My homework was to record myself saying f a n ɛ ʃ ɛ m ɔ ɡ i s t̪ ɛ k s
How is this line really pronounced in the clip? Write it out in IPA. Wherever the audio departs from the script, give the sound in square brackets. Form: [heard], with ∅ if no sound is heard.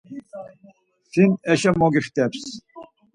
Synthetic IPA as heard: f [i] n ɛ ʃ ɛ m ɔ ɡ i [χ] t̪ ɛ [p] s